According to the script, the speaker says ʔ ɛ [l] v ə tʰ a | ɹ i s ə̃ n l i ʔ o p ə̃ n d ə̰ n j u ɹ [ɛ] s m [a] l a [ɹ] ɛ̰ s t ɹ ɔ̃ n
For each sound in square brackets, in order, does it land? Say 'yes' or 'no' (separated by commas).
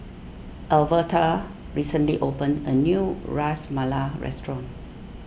yes, no, yes, yes